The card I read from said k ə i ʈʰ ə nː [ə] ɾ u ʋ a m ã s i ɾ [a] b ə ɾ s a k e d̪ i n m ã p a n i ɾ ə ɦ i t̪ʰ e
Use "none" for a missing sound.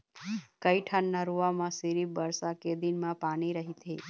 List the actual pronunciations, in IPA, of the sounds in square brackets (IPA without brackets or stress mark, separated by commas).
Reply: a, i